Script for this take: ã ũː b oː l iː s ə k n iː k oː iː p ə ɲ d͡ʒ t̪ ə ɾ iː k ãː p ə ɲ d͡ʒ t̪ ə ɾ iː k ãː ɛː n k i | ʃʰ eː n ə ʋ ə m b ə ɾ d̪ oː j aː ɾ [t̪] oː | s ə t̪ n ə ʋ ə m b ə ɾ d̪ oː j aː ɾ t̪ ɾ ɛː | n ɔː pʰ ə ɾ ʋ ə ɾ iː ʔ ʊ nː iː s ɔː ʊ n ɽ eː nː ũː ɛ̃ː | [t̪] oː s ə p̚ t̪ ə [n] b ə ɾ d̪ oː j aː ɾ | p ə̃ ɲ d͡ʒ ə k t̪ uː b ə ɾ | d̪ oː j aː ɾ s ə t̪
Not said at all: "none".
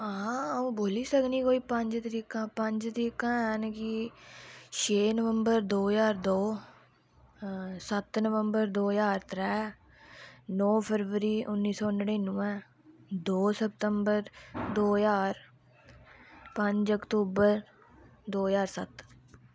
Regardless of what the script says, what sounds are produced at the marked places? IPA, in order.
d̪, d̪, m

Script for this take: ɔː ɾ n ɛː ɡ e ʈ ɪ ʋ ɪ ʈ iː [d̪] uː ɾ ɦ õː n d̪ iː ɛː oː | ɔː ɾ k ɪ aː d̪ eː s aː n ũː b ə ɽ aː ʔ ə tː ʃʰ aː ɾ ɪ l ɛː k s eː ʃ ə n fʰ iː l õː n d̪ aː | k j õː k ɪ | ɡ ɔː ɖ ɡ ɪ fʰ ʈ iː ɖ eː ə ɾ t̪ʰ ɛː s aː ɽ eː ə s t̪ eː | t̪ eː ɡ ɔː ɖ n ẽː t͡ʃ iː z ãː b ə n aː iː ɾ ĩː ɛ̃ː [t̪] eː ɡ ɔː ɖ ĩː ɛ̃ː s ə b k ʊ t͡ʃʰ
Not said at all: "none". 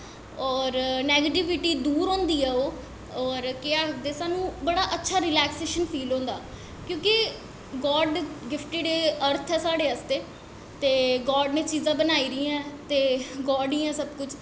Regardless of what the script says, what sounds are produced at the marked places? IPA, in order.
d̪, t̪

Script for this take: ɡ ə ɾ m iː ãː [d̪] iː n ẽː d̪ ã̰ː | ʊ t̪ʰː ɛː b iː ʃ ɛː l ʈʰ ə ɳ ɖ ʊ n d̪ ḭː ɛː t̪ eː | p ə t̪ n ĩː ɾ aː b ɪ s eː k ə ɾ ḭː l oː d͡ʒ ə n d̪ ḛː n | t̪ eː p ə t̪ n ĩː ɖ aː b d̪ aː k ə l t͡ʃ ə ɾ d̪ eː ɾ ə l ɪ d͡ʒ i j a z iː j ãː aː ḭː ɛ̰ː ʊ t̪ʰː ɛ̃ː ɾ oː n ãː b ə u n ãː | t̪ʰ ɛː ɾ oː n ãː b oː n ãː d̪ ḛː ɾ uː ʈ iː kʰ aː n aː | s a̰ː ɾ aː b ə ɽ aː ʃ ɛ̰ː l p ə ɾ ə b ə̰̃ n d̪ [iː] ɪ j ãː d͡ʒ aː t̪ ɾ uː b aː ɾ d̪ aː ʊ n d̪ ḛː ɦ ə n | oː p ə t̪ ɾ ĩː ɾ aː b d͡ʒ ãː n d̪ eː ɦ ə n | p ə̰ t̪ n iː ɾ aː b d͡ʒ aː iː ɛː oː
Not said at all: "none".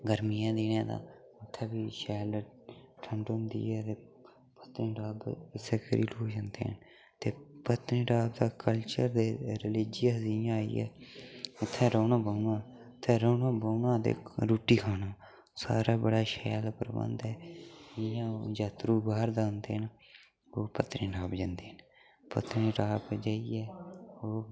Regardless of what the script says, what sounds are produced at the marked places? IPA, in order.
d̪, ɛː

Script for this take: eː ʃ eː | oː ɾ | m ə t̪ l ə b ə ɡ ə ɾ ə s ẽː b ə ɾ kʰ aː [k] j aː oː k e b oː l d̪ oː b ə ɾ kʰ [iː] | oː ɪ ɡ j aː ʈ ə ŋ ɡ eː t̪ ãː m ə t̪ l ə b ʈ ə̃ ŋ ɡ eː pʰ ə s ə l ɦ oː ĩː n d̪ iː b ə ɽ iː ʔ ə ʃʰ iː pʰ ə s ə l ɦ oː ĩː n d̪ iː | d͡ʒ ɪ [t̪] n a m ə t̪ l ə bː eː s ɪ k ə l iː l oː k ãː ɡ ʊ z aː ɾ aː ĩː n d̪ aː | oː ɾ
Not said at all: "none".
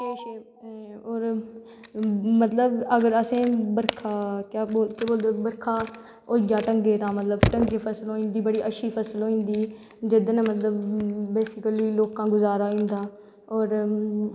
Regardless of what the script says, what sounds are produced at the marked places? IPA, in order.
k, aː, d̪

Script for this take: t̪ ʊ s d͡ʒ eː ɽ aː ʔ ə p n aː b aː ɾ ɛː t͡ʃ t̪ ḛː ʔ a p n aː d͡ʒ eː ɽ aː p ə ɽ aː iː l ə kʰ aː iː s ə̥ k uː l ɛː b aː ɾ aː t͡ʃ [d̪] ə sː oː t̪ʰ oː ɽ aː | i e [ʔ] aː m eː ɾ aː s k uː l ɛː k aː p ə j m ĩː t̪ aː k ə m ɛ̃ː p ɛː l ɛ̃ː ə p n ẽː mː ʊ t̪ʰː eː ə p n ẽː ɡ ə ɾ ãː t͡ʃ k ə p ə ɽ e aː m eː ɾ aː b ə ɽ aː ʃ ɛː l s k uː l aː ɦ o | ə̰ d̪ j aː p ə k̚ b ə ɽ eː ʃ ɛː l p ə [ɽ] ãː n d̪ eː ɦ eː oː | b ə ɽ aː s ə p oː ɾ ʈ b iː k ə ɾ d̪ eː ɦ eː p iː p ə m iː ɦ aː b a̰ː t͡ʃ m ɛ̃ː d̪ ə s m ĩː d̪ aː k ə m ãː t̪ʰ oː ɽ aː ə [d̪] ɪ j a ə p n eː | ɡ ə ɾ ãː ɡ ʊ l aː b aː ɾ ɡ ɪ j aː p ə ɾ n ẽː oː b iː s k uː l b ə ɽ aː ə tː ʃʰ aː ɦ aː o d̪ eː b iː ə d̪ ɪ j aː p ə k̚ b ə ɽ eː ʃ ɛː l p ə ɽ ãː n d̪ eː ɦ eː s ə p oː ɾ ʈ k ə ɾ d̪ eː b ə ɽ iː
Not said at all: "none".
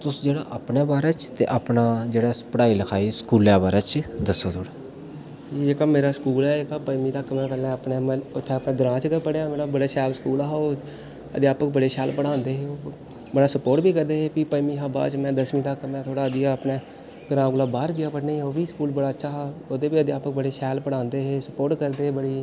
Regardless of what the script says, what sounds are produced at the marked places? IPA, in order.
d̪, k, ɽ, d̪

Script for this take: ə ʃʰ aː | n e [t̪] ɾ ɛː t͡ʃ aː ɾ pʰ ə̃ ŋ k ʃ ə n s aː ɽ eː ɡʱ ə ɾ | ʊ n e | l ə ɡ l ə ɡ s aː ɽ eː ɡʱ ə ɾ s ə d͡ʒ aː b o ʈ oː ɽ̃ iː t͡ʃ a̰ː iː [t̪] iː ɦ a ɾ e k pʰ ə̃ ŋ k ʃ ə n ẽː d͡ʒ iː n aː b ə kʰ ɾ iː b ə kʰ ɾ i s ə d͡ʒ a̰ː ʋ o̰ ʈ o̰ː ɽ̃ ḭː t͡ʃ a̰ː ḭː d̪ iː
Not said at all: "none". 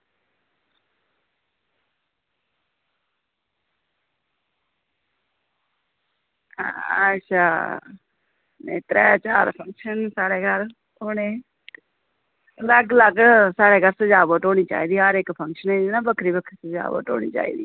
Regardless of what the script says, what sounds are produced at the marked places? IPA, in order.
t̪, d̪

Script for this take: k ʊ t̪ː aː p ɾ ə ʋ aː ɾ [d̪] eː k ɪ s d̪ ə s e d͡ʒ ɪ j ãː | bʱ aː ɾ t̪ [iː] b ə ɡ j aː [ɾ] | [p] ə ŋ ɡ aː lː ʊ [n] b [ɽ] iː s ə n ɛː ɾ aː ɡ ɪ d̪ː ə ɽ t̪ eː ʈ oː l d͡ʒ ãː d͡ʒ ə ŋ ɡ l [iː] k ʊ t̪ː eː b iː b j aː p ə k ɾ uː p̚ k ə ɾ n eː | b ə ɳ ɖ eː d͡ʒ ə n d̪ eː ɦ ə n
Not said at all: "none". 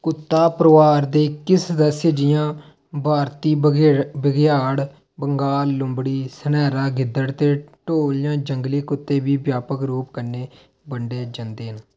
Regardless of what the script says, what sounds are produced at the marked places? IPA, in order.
d̪, iː, ɽ, b, m, ɽ, iː

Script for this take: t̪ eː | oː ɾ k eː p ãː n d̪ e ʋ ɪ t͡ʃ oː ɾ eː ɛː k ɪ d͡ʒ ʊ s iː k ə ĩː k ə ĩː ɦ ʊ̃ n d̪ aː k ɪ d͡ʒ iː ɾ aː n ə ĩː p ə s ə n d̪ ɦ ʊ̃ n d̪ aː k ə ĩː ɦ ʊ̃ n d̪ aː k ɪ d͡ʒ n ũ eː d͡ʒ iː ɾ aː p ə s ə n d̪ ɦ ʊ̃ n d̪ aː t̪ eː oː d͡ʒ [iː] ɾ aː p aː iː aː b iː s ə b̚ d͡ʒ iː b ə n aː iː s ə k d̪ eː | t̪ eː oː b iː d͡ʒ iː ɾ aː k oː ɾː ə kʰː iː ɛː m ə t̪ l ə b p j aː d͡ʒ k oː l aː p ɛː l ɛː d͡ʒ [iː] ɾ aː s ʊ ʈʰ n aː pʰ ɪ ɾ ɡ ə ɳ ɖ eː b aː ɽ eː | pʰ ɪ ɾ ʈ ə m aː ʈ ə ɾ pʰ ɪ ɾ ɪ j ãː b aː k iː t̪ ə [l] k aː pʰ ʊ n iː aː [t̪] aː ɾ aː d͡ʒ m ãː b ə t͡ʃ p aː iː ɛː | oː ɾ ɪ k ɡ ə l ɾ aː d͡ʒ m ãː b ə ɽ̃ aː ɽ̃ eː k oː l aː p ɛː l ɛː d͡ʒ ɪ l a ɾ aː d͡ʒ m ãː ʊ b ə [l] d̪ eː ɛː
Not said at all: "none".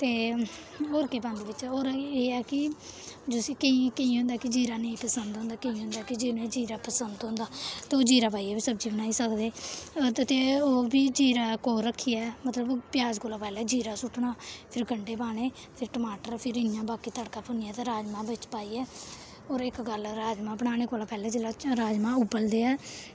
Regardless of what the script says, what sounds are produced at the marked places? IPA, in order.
iː, iː, ɽ, t̪, l

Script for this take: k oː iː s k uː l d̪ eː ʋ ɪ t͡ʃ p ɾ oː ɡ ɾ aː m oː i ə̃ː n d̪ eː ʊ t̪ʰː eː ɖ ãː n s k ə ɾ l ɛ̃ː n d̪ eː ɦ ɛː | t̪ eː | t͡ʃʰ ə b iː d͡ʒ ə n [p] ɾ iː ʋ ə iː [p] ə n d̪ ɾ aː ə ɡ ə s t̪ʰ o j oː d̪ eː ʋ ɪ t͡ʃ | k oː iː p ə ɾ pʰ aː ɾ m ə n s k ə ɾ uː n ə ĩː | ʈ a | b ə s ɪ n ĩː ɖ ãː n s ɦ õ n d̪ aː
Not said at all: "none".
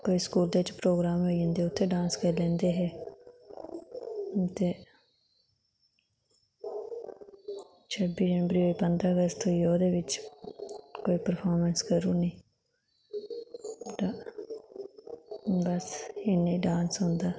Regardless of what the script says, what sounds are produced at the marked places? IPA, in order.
b, p

